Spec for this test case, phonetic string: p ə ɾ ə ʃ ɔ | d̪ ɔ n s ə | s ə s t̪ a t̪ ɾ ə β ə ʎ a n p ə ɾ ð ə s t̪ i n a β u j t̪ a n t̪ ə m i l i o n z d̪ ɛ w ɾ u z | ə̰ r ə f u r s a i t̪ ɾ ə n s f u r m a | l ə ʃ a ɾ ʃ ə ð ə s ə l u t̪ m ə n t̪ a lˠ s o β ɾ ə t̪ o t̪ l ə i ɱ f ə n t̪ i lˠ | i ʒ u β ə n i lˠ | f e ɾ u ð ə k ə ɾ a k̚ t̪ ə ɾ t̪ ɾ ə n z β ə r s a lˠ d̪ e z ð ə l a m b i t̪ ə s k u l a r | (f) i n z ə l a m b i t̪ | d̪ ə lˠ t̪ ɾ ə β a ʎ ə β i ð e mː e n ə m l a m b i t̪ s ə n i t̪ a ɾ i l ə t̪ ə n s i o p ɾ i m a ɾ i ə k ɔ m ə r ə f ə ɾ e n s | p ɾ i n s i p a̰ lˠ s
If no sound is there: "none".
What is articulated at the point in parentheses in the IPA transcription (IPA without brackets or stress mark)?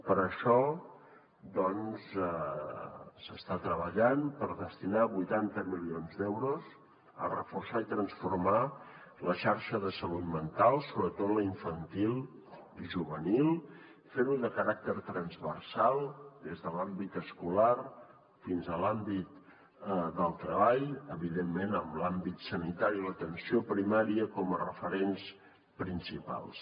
f